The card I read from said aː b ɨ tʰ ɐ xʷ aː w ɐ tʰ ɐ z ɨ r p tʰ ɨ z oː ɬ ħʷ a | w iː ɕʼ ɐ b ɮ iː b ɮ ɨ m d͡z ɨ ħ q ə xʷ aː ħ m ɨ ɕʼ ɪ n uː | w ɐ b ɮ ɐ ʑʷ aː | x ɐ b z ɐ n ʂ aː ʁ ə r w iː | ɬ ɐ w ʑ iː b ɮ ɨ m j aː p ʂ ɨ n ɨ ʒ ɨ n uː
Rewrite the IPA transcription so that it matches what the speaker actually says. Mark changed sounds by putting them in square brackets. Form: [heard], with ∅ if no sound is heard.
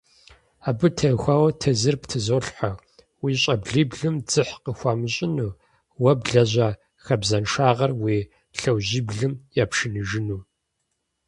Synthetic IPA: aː b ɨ tʰ ɐ xʷ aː w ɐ tʰ ɐ z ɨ r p tʰ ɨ z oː ɬ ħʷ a | w iː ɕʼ ɐ b ɮ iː b ɮ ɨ m d͡z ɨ ħ q ə xʷ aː [∅] m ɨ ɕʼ ɪ n uː | w ɐ b ɮ ɐ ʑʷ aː | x ɐ b z ɐ n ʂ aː ʁ [ɐ] r w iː | ɬ ɐ w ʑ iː b ɮ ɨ m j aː p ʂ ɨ n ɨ ʒ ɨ n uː